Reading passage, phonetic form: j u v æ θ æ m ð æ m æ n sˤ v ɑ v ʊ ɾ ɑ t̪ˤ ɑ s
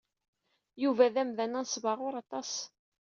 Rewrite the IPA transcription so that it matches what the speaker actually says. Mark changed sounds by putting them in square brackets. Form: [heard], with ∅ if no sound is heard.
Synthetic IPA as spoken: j u v æ [ð] æ m ð æ [n] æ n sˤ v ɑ [ʁ] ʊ ɾ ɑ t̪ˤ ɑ s